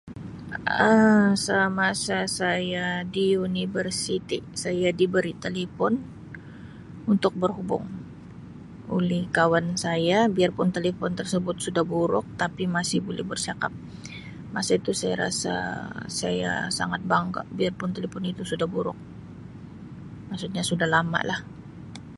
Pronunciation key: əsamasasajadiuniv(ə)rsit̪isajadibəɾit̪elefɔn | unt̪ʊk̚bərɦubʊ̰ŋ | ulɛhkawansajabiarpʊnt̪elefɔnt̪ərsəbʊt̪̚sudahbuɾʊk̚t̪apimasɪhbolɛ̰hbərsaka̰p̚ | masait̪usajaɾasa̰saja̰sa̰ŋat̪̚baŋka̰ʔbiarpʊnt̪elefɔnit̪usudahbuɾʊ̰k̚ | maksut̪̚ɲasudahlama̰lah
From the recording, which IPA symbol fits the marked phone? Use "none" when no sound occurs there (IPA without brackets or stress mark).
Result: ə